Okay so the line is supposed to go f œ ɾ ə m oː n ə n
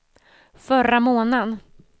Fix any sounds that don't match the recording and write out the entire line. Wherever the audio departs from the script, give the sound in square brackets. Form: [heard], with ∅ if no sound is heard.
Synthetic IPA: f œ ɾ [a] m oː n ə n